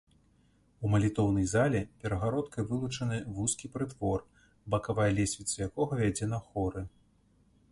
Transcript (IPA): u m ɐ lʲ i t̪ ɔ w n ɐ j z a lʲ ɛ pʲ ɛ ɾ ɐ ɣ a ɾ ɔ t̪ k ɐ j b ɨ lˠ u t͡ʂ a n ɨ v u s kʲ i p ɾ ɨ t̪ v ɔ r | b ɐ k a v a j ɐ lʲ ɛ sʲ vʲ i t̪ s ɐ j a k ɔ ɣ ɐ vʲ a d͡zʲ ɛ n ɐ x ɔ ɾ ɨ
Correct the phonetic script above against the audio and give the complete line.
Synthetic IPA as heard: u m ɐ lʲ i t̪ ɔ w n ɐ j z a lʲ ɛ pʲ ɛ ɾ ɐ ɣ a ɾ ɔ t̪ k ɐ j v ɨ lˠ u t͡ʂ ɐ n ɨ v u s kʲ i p ɾ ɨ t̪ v ɔ r | b ɐ k a v a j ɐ lʲ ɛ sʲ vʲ i t̪ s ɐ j a k ɔ ɣ ɐ vʲ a d͡zʲ ɛ n ɐ x ɔ ɾ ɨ

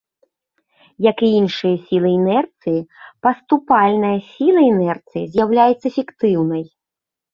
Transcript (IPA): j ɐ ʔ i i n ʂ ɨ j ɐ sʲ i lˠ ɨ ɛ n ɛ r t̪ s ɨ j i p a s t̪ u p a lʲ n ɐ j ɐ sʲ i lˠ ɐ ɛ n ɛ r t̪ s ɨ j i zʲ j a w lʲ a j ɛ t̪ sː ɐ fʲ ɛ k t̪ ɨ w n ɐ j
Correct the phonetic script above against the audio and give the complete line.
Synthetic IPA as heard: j ɐ k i i n ʂ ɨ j ɐ sʲ i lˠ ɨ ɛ n ɛ r t̪ s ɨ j i p ɐ s t̪ u p a lʲ n ɐ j ɐ sʲ i lˠ ɐ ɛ n ɛ r t̪ s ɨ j i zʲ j a w lʲ a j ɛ t̪ sː ɐ fʲ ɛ k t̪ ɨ w n ɐ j

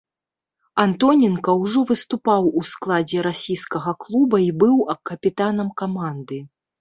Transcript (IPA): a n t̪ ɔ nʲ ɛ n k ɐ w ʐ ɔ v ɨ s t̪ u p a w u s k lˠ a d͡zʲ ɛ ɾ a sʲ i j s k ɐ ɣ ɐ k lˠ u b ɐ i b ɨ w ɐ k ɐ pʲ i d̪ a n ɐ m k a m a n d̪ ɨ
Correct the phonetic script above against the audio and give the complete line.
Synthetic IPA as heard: a n t̪ ɔ nʲ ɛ n k ɐ w ʐ ɔ v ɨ s t̪ u p a w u s k lˠ a d͡zʲ ɛ ɾ a sʲ i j s k ɐ ɣ ɐ k lˠ u b ɐ i b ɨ w ɐ k ɐ pʲ i t̪ a n ɐ m k a m a n d̪ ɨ

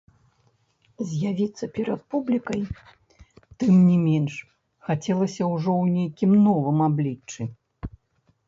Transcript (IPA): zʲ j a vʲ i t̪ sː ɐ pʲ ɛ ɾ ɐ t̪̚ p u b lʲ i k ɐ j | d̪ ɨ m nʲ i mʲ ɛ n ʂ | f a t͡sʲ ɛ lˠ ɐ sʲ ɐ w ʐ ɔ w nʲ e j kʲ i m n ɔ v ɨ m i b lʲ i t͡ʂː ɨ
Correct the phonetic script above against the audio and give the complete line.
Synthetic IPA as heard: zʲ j a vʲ i t̪ sː ɐ pʲ ɛ ɾ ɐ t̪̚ p u b lʲ i k ɐ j | t̪ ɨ m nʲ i mʲ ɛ n ʂ | x a t͡sʲ ɛ lˠ ɐ sʲ ɐ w ʐ ɔ w nʲ e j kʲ i m n ɔ v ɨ m a b lʲ i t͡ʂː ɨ

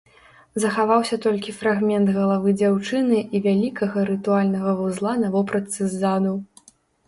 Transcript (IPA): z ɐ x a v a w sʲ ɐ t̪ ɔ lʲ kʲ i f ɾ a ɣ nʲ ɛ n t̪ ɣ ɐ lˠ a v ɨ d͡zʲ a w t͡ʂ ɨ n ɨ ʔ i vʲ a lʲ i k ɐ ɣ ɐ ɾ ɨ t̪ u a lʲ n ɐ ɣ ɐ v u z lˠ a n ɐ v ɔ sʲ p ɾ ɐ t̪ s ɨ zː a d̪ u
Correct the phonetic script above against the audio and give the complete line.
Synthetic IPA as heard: z ɐ x a v a w sʲ ɐ t̪ ɔ lʲ kʲ i f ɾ a ɣ mʲ ɛ n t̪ ɣ ɐ lˠ a v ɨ d͡zʲ a w t͡ʂ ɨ n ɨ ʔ i vʲ a lʲ i k ɐ ɣ ɐ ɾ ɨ t̪ u a lʲ n ɐ ɣ ɐ v u z lˠ a n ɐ v ɔ p ɾ ɐ t̪ s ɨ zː a d̪ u

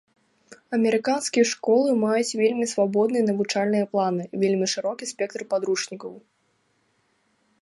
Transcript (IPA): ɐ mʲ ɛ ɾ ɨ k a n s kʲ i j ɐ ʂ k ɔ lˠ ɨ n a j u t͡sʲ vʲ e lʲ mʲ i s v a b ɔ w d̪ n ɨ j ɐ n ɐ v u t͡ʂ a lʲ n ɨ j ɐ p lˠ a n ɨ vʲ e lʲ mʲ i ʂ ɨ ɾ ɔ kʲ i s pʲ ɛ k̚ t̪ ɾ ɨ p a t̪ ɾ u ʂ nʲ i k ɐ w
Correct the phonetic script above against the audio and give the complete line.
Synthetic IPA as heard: ɐ mʲ ɛ ɾ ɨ k a n s kʲ i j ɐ ʂ k ɔ lˠ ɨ m a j u t͡sʲ vʲ e lʲ mʲ i s v a b ɔ d̪ n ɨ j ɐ n ɐ v u t͡ʂ a lʲ n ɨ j ɐ p lˠ a n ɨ vʲ e lʲ mʲ i ʂ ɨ ɾ ɔ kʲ i s pʲ ɛ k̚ t̪ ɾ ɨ p a d̪ ɾ u ʂ nʲ i k ɐ w

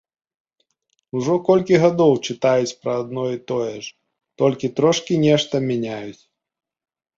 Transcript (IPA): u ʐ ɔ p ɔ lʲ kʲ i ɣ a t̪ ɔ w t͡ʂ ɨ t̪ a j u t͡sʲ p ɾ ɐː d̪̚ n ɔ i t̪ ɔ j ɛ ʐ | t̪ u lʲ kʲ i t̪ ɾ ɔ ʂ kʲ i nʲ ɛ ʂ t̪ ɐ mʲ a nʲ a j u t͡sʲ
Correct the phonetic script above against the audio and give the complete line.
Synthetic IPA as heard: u ʐ ɔ k ɔ lʲ kʲ i ɣ a d̪ ɔ w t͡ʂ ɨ t̪ a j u t͡sʲ p ɾ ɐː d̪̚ n ɔ i t̪ ɔ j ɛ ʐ | t̪ ɔ lʲ kʲ i t̪ ɾ ɔ ʂ kʲ i nʲ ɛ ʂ t̪ ɐ mʲ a nʲ a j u t͡sʲ

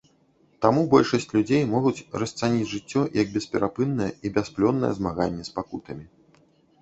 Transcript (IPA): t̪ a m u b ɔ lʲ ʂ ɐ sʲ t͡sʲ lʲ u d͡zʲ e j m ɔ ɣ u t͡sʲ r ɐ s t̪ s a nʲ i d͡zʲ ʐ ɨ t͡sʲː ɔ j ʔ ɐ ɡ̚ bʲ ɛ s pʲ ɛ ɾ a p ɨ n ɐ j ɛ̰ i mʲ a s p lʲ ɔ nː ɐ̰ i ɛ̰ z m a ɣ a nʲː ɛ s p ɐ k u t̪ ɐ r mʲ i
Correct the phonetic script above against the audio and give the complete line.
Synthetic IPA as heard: t̪ a m u b ɔ lʲ ʂ ɐ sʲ t͡sʲ lʲ u d͡zʲ e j m ɔ ɣ u t͡sʲ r ɐ s t̪ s a nʲ i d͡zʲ ʐ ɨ t͡sʲː ɔ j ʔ ɐ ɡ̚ bʲ ɛ s pʲ ɛ ɾ a p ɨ nː ɐ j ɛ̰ i bʲ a s p lʲ ɔ nː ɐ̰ j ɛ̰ z m a ɣ a nʲː ɛ s p a k u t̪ ɐ mʲ i

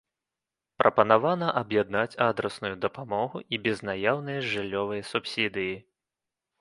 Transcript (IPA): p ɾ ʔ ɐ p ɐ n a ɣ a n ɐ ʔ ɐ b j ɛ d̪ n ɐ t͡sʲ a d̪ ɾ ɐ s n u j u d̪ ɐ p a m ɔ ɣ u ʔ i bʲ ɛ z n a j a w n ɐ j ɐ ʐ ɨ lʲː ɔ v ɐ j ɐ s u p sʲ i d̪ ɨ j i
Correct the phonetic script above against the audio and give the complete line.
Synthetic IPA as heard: p ɾ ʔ ɐ p ɐ n a v a n ɐ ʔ ɐ b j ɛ d̪ n a t͡sʲ a d̪ ɾ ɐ s n u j u d̪ ɐ p a m ɔ ɣ u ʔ i bʲ ɛ z n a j a w n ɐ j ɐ ʐ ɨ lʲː ɔ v ɐ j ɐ s u p sʲ i d̪ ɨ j i

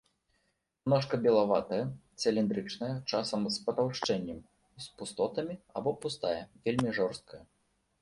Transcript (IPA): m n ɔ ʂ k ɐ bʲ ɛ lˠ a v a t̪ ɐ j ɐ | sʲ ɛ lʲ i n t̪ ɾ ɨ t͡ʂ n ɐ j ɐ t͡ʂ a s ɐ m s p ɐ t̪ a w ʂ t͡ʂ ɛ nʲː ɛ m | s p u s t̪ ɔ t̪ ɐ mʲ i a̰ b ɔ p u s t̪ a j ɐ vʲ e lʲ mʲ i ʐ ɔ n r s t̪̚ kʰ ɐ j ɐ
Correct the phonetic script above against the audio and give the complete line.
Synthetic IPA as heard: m n ɔ ʂ k ɐ bʲ ɛ lˠ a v a t̪ ɐ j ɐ | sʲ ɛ lʲ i n d̪ ɾ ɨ t͡ʂ n ɐ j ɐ t͡ʂ a s ɐ m s p ɐ t̪ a w ʂ t͡ʂ ɛ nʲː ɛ m | s p u s t̪ ɔ t̪ ɐ mʲ i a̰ b ɔ p u s t̪ a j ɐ vʲ e lʲ mʲ i ʐ ɔ r s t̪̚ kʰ ɐ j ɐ

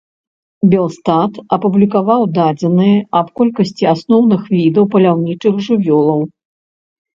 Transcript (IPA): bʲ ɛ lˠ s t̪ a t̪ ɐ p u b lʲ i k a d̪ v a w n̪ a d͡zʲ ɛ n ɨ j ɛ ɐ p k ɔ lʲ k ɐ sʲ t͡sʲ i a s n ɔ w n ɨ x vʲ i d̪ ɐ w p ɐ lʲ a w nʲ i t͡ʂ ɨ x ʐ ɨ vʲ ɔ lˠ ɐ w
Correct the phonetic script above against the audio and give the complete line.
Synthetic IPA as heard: bʲ ɛ lˠ s t̪ a t̪ ɐ p u b lʲ i k a v a w d̪ a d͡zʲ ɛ n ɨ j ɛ ɐ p k ɔ lʲ k ɐ sʲ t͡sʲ i a s n ɔ w n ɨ x vʲ i d̪ ɐ w p ɐ lʲ a w nʲ i t͡ʂ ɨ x ʐ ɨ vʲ ɔ lˠ ɐ w

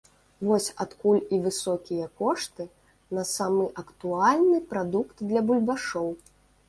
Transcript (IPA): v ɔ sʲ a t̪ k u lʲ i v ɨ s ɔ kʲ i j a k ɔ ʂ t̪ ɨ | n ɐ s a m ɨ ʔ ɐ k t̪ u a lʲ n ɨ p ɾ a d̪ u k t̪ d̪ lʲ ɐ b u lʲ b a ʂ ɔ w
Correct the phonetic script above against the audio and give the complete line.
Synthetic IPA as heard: v ɔ sʲ a t̪ k u lʲ i v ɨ s ɔ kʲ i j ɐ k ɔ ʂ t̪ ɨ | n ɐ s a m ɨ ʔ ɐ k t̪ u a lʲ n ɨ p ɾ a d̪ u k t̪ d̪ lʲ ɐ b u lʲ b a ʂ ɔ w

